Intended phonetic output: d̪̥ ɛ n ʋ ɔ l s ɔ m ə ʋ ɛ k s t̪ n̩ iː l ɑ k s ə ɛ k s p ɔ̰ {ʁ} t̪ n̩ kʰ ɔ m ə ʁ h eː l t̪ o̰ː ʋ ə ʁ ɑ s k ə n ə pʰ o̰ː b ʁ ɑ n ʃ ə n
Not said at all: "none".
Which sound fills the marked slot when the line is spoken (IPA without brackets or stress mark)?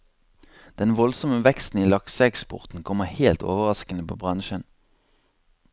ʁ